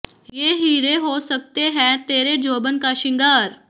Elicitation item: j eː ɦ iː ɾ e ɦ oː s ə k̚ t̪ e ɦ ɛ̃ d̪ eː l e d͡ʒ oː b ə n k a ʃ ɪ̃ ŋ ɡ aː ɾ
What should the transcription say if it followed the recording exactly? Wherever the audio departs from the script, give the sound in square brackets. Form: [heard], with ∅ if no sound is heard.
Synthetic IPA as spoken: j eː ɦ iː ɾ e ɦ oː s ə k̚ t̪ e ɦ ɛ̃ [t̪] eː [ɾ] e d͡ʒ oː b ə n k a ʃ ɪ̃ ŋ ɡ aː ɾ